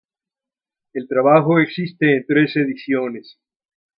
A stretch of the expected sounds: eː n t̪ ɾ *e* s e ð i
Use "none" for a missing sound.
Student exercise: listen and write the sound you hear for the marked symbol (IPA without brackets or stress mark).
e